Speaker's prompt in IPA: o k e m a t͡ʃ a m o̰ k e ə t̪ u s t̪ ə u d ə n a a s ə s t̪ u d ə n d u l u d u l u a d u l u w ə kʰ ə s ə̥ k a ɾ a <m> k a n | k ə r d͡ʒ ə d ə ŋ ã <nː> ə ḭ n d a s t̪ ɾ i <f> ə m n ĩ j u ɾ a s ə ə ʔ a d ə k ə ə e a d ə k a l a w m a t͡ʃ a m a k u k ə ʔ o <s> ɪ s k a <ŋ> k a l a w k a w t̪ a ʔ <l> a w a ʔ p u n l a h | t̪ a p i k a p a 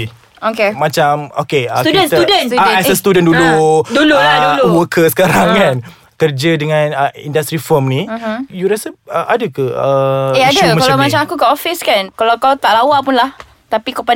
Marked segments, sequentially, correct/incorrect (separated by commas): incorrect, incorrect, correct, incorrect, incorrect, correct